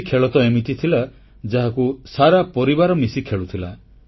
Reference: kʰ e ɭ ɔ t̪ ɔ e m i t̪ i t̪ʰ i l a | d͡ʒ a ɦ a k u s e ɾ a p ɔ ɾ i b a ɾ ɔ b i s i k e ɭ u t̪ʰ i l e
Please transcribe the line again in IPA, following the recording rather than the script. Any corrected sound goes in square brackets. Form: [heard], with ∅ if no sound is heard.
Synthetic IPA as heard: kʰ e ɭ ɔ t̪ ɔ e m i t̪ i t̪ʰ i l a | d͡ʒ a ɦ a k u s [a] ɾ a p ɔ ɾ i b a ɾ ɔ [m] i s i [kʰ] e ɭ u t̪ʰ i l [a]